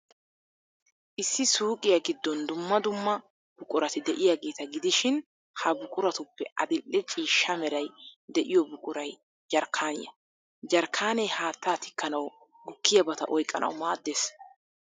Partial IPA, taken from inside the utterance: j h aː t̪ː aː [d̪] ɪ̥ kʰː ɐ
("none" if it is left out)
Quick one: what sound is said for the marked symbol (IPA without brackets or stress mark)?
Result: t̪